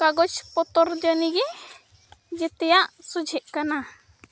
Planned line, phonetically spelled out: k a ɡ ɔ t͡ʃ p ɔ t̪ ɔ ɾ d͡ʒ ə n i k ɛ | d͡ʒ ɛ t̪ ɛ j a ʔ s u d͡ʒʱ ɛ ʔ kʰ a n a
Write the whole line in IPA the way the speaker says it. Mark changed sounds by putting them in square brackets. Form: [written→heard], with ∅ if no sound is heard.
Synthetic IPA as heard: k a ɡ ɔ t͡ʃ p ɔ t̪ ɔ ɾ d͡ʒ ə n i [k→ɡ] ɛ | d͡ʒ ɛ t̪ ɛ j a ʔ s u d͡ʒʱ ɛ ʔ [kʰ→k] a n a